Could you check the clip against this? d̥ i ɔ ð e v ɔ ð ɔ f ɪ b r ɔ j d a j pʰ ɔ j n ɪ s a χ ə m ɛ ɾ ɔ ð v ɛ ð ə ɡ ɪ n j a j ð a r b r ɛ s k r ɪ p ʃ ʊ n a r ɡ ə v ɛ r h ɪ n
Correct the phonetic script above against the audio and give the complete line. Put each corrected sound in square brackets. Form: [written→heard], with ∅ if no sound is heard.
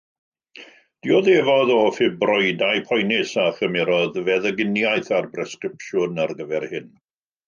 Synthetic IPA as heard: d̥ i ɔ ð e v ɔ ð ɔ f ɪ b r ɔ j d a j pʰ ɔ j n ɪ s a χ ə m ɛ ɾ ɔ ð v ɛ ð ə ɡ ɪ n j a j [ð→θ] a r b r ɛ s k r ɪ p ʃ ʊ n a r ɡ ə v ɛ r h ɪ n